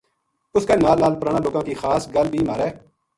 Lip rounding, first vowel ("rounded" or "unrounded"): rounded